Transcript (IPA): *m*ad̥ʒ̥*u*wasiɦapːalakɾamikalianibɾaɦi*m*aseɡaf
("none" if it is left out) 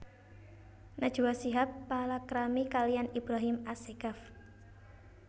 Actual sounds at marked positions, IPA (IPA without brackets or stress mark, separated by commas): n, u, m